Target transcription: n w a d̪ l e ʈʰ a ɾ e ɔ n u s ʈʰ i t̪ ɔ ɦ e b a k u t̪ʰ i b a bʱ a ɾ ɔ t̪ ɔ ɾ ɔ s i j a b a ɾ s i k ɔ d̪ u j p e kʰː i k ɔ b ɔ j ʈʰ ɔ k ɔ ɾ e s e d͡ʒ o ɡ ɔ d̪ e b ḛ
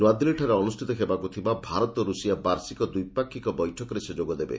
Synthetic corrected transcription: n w a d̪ l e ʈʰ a ɾ e ɔ n u s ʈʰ i t̪ ɔ ɦ e b a k u t̪ʰ i b a bʱ a ɾ ɔ t̪ ɔ ɾ u s i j a b a ɾ s i k ɔ d̪ u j p a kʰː i k ɔ b ɔ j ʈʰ ɔ k ɔ ɾ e s e d͡ʒ o ɡ ɔ d̪ e b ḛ